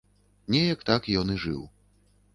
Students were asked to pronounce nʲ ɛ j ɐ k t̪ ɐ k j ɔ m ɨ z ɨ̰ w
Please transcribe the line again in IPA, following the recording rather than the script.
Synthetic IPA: nʲ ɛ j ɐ k t̪ a k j ɔ n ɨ ʐ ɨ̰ w

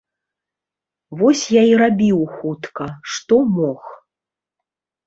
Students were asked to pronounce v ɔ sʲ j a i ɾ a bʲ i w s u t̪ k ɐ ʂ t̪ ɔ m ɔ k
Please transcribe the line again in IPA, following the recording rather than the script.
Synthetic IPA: v ɔ sʲ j a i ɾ a bʲ i w x u t̪ k ɐ ʂ t̪ ɔ m ɔ x

